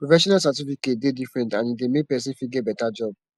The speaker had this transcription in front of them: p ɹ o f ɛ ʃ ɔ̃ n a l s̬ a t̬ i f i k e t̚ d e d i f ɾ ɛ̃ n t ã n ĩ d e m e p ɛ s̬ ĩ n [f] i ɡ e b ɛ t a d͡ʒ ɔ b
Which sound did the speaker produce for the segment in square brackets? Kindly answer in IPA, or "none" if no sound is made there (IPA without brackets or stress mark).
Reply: f